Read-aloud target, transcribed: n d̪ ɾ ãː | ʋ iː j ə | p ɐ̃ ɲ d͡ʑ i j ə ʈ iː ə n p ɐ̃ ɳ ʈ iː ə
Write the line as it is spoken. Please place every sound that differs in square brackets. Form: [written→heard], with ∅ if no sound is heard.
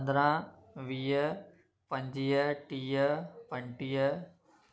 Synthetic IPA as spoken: n d̪ ɾ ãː | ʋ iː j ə | p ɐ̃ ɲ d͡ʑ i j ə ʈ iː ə [n→∅] p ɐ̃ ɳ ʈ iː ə